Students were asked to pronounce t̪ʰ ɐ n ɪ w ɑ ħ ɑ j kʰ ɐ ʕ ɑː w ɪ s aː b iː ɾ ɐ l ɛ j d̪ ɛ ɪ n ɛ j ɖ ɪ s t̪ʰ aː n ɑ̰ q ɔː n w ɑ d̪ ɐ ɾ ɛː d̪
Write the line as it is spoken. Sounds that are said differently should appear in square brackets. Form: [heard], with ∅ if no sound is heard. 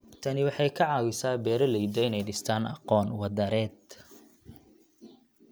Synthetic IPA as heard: t̪ʰ ɐ n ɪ w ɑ ħ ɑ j kʰ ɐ ʕ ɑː w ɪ s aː b [ɛː] ɾ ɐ l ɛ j d̪ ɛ ɪ n ɛ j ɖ ɪ s t̪ʰ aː n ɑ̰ q ɔː n w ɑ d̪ ɐ ɾ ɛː d̪